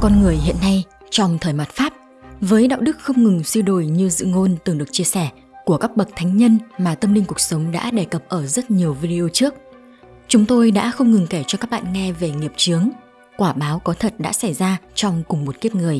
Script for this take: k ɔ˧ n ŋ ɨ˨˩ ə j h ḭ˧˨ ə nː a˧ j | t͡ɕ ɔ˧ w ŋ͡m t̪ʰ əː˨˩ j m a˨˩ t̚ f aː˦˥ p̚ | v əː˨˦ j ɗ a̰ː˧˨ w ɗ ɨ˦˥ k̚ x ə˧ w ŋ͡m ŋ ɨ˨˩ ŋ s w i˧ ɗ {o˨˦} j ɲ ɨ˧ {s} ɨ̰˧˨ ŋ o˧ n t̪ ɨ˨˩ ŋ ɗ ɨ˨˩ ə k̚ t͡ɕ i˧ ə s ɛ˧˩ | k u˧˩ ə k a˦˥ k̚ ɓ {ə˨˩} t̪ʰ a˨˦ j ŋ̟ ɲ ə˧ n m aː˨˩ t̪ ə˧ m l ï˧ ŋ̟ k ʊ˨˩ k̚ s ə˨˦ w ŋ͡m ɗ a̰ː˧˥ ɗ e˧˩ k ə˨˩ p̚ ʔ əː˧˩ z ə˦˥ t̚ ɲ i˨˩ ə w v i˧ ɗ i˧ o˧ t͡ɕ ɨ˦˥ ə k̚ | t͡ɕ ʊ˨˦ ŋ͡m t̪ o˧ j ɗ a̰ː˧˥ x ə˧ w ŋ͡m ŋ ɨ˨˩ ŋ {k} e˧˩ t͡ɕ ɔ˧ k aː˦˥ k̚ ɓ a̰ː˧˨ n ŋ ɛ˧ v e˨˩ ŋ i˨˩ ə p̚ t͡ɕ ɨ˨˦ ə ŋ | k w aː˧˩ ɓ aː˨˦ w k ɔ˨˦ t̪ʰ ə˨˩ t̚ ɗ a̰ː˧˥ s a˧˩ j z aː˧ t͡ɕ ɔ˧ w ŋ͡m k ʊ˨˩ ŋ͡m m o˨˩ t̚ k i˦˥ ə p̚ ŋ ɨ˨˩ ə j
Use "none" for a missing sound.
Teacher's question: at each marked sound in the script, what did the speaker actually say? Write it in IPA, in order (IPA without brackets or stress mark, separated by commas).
o˧˩, z, ə˨˩, k